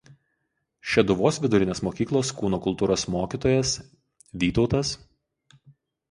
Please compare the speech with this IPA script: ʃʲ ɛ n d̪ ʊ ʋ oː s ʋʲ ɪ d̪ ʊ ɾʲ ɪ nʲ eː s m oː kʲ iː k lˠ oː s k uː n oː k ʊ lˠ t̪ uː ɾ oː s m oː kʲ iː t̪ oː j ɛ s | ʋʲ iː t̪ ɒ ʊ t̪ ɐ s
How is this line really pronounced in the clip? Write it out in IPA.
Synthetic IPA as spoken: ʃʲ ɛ d̪ ʊ ʋ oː s ʋʲ ɪ d̪ ʊ ɾʲ ɪ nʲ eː s m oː kʲ iː k lˠ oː s k uː n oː k ʊ lˠ t̪ uː ɾ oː s m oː kʲ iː t̪ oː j ɛ s | ʋʲ iː t̪ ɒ ʊ t̪ ɐ s